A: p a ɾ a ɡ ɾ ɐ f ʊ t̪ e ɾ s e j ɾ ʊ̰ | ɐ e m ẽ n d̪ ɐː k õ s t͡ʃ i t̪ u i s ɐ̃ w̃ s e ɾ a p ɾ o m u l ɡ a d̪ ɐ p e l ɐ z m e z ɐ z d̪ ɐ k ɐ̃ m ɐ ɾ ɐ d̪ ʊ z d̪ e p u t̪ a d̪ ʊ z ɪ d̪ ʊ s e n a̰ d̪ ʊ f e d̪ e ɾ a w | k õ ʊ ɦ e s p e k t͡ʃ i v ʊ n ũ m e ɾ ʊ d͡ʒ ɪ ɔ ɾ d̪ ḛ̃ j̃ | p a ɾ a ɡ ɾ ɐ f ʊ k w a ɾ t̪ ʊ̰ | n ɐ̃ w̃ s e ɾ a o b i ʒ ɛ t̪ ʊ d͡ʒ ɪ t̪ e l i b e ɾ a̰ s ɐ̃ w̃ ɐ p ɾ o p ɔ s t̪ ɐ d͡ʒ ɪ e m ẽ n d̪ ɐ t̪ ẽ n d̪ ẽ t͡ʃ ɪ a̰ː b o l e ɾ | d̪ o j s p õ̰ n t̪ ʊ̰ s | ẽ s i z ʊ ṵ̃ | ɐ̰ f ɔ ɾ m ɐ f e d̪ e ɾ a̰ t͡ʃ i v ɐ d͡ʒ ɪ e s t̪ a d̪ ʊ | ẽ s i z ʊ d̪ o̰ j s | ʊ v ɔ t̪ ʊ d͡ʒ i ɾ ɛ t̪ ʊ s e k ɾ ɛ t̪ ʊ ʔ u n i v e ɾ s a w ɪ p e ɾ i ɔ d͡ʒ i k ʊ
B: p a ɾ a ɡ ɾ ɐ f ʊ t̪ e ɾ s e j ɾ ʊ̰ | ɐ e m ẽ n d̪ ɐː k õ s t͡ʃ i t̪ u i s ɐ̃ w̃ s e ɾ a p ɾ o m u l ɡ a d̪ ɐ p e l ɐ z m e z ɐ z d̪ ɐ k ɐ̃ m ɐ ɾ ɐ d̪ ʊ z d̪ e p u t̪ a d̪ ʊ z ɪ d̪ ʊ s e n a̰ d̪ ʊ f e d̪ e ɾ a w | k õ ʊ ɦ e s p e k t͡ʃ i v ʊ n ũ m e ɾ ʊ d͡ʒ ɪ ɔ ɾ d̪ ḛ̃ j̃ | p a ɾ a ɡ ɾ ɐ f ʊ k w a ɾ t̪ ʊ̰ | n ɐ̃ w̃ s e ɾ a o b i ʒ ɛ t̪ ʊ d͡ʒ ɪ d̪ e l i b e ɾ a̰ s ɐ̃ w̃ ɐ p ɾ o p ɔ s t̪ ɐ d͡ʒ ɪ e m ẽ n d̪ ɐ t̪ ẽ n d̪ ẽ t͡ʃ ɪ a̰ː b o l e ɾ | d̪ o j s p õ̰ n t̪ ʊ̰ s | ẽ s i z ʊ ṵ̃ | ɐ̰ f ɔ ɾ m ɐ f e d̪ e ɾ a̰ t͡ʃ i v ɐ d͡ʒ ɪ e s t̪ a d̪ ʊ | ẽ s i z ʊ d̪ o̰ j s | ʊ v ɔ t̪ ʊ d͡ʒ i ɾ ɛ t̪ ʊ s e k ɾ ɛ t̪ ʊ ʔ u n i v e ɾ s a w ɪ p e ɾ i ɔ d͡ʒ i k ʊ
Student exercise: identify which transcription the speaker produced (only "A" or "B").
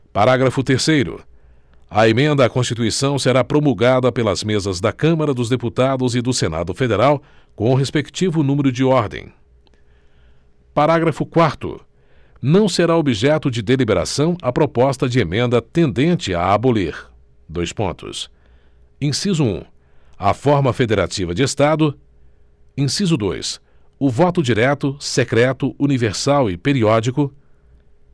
B